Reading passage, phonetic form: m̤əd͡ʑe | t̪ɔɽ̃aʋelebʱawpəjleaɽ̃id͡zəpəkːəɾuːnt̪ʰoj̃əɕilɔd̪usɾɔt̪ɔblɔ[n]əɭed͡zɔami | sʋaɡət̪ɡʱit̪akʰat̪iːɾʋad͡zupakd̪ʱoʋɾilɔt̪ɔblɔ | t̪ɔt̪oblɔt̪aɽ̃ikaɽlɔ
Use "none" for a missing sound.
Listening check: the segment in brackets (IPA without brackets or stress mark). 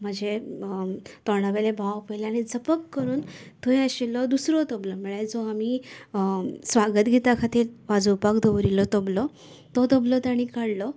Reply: m